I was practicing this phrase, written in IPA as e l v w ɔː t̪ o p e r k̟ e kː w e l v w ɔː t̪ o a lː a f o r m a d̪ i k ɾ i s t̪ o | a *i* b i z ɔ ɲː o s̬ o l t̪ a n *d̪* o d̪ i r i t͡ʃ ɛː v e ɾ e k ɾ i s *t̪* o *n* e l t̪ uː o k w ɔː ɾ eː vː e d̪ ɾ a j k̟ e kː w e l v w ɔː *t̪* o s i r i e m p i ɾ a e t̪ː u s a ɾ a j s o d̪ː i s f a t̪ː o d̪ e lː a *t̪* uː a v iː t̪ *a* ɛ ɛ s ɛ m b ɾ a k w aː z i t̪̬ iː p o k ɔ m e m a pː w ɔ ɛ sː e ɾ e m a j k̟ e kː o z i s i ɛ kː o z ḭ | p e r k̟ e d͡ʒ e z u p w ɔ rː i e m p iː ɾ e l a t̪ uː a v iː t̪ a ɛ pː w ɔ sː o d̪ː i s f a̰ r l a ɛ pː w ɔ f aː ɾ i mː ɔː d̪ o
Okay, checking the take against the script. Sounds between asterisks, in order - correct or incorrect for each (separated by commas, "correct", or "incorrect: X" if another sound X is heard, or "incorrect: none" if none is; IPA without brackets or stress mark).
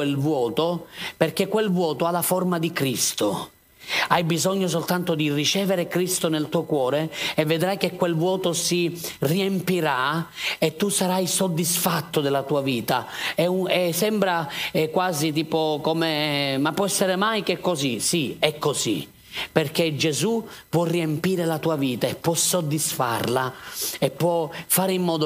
incorrect: j, incorrect: t̪, correct, correct, correct, correct, correct